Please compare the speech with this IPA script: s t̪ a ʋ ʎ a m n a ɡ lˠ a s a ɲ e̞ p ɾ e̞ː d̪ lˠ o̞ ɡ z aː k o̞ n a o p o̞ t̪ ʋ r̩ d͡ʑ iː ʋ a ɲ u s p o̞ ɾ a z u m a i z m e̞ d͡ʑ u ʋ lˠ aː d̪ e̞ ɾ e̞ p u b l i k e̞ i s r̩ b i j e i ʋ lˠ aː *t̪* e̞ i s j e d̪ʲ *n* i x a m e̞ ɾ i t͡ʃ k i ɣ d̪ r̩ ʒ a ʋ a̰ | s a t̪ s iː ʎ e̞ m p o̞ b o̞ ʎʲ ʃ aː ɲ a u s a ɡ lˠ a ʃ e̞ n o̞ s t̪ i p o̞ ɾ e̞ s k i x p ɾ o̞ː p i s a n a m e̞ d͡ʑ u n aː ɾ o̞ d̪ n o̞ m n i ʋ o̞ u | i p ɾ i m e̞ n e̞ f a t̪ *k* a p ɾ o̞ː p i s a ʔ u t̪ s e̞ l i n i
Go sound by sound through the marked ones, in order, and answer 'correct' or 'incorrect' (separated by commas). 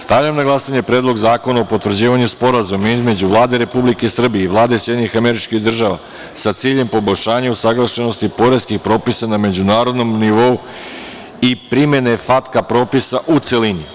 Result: incorrect, incorrect, correct